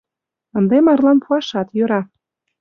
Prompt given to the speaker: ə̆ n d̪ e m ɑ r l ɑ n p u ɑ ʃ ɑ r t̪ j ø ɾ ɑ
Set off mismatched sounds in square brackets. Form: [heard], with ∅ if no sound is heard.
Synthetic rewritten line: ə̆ n d̪ e m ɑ r l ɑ n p u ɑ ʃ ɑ [∅] t̪ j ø ɾ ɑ